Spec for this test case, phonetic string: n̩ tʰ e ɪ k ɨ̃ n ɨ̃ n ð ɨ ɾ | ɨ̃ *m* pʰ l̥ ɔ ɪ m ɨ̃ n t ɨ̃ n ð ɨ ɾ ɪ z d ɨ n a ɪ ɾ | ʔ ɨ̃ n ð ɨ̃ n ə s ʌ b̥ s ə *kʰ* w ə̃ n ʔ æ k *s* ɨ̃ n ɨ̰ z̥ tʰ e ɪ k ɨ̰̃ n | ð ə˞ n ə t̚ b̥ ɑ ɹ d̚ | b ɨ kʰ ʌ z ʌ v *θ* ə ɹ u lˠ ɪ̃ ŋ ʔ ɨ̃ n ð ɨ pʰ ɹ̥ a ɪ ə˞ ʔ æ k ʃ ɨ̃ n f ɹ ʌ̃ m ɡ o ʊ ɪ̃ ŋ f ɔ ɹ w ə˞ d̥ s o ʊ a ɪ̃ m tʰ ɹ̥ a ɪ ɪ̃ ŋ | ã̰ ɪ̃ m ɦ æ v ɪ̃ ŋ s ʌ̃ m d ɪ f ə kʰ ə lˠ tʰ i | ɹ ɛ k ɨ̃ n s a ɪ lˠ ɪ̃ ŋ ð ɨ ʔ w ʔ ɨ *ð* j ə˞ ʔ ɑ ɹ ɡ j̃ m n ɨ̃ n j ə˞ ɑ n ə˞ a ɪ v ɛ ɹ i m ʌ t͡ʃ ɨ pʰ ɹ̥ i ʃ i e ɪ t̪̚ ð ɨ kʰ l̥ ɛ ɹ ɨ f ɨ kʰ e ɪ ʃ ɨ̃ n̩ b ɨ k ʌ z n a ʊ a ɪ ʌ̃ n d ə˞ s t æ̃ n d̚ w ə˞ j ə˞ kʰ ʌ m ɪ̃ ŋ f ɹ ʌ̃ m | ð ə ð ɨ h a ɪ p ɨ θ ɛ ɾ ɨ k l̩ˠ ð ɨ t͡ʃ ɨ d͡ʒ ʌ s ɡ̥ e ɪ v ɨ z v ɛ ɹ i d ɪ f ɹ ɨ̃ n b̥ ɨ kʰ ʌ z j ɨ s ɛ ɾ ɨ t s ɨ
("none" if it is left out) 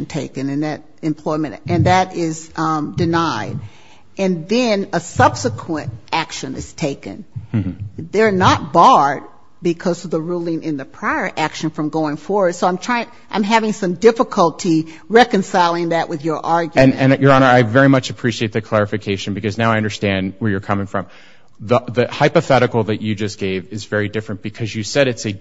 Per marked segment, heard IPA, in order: m, kʰ, ʃ, ð, ð

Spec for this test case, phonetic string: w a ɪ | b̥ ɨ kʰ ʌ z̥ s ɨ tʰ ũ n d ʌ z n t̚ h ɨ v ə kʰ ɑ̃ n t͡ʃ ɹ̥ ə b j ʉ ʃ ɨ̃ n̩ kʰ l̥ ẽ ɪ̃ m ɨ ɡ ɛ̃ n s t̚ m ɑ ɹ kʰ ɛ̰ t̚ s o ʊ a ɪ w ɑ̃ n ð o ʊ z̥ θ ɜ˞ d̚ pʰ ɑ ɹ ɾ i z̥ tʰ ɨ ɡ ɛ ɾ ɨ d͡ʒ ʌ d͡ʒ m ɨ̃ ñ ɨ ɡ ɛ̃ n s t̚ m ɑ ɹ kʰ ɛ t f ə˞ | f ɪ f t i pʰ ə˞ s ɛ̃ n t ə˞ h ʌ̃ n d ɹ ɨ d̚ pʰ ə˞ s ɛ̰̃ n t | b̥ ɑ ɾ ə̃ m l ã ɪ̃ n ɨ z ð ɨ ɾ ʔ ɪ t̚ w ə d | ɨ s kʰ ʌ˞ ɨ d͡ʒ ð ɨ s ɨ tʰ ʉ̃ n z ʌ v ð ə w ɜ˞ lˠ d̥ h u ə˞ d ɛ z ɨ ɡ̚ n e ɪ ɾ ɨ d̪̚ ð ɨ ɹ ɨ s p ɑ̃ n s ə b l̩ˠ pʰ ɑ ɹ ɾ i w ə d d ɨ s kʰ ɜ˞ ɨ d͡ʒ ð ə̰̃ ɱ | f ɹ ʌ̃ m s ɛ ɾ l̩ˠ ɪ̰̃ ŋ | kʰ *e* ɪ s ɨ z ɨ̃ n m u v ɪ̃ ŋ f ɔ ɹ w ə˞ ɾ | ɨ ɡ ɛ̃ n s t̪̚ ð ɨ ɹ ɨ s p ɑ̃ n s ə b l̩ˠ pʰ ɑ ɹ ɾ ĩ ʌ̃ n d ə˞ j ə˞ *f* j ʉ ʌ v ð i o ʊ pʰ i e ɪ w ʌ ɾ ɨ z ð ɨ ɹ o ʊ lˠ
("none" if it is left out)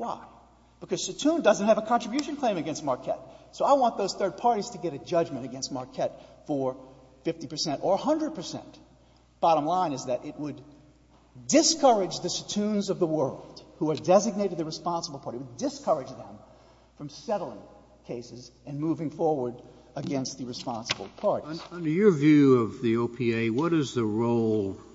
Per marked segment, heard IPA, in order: e, v

